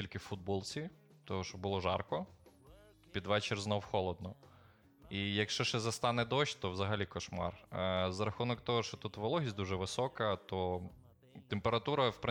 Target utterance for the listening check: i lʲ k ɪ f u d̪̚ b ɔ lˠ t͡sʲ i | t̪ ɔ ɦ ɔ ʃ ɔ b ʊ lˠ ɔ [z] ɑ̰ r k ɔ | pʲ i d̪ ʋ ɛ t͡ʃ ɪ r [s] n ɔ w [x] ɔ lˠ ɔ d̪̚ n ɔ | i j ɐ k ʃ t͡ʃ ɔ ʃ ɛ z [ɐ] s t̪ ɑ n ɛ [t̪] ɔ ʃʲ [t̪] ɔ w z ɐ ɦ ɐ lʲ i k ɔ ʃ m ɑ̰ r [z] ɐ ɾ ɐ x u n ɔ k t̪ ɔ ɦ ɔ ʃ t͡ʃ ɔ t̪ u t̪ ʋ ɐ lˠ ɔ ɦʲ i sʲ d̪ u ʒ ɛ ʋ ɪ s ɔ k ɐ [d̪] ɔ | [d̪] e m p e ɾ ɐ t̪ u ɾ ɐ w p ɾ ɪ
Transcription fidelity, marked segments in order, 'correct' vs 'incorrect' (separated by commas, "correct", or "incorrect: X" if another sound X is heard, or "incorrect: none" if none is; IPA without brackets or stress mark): incorrect: ʒ, incorrect: z, correct, correct, incorrect: d̪, correct, correct, incorrect: t̪, incorrect: t̪